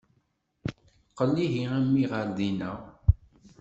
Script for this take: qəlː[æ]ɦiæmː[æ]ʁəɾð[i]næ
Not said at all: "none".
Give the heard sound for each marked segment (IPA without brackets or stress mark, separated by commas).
i, i, i